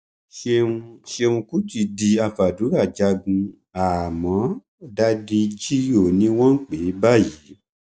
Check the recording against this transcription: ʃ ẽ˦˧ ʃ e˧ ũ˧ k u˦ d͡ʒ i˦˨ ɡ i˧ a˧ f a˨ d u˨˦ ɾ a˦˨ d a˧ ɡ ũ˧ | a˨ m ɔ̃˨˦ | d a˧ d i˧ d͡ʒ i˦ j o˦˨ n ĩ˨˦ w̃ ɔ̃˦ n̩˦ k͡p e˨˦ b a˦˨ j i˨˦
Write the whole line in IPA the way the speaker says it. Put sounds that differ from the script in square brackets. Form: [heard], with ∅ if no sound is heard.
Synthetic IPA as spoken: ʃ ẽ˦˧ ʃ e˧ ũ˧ k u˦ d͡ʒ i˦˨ [d] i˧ a˧ f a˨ d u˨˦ ɾ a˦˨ [d͡ʒ] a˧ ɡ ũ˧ | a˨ m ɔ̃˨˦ | d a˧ d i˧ d͡ʒ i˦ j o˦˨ n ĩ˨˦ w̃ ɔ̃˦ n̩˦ k͡p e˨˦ b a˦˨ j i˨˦